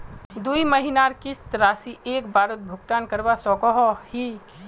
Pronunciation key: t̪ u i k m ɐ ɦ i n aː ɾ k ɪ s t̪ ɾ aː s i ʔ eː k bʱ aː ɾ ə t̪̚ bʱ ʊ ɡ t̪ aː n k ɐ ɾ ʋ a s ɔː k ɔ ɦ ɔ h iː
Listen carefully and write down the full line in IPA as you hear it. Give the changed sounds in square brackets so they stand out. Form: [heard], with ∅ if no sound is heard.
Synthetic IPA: [d̪] u i [∅] m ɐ ɦ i n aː ɾ k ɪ s t̪ ɾ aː s i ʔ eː k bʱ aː ɾ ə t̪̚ bʱ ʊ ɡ t̪ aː n k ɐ ɾ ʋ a s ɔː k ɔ ɦ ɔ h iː